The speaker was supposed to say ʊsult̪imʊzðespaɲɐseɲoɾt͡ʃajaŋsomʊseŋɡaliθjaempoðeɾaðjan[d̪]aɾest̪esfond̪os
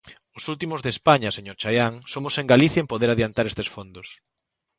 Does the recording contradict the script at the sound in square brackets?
yes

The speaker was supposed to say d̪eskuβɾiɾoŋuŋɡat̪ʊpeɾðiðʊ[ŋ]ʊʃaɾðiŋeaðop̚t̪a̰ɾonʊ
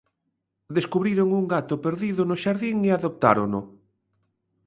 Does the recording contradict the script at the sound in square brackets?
yes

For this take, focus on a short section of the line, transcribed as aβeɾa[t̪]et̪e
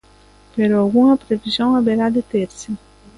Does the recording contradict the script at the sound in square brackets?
yes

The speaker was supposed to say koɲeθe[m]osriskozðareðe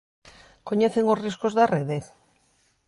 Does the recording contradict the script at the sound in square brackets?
yes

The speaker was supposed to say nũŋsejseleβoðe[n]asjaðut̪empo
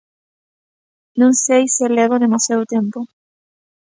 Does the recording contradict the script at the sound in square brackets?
yes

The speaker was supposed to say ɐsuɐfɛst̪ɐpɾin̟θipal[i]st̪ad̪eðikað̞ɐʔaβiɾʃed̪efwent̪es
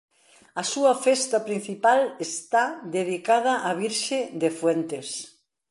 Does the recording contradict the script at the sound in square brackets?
yes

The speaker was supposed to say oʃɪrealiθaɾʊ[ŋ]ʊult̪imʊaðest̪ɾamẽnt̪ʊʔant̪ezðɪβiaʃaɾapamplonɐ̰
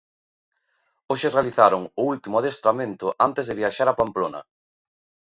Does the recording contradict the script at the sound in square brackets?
no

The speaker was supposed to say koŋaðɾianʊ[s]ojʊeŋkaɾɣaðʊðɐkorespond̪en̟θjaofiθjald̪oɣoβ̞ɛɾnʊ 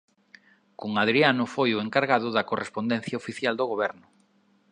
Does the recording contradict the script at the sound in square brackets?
yes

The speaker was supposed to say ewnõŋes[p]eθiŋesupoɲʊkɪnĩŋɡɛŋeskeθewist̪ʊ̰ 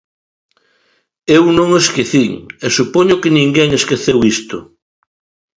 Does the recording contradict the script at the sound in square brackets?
yes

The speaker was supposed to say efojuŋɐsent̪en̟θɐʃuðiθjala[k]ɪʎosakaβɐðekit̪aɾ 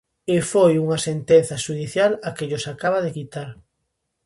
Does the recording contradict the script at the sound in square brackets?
no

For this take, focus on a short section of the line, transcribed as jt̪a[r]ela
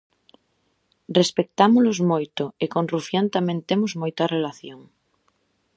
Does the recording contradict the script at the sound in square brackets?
no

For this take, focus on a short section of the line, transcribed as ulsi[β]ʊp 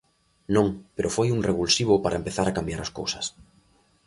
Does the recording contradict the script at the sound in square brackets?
no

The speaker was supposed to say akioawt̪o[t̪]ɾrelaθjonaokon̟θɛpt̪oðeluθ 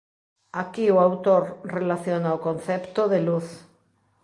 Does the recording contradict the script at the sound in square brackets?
yes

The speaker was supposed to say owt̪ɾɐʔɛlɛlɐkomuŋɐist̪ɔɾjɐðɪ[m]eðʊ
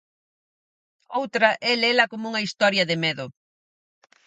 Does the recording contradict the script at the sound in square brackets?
no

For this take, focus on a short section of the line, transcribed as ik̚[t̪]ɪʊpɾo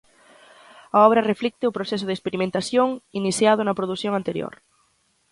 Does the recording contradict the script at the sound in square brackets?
no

